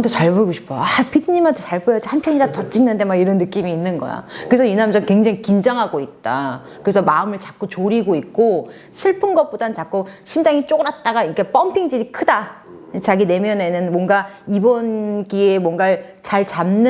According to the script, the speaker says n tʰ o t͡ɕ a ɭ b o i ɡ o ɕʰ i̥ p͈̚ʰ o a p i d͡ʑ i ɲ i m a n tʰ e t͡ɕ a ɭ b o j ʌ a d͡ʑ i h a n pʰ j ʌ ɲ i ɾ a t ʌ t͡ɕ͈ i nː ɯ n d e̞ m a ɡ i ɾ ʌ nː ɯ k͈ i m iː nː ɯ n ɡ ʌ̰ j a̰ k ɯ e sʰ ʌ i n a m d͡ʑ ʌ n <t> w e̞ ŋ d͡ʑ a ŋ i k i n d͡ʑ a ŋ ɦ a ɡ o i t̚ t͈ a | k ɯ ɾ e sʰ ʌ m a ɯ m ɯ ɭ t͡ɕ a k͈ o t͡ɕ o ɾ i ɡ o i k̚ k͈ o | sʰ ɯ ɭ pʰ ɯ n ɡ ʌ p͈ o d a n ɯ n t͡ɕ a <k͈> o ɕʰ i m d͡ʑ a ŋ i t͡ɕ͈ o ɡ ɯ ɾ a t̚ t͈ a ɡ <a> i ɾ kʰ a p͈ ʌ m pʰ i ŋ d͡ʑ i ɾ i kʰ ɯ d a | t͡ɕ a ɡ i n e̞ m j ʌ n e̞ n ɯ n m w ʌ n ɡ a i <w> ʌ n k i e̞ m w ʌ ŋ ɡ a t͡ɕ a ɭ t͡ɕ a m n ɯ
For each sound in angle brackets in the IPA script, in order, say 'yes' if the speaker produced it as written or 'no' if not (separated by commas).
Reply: no, yes, yes, no